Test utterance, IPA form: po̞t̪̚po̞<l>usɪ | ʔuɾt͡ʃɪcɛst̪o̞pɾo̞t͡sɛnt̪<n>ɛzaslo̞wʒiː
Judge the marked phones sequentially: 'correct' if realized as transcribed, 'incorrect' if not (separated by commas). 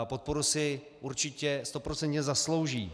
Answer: incorrect, incorrect